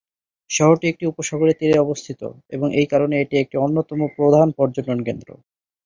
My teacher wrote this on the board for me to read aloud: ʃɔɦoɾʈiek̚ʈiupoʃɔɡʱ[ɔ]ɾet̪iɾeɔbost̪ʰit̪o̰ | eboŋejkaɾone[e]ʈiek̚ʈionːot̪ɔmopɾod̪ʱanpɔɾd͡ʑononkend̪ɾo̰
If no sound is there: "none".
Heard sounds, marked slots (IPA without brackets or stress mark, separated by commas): o, e